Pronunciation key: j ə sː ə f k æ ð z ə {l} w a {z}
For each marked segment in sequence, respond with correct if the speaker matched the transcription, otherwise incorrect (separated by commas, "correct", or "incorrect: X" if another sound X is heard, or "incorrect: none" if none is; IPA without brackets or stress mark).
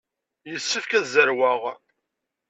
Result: incorrect: ɾ, incorrect: ʁ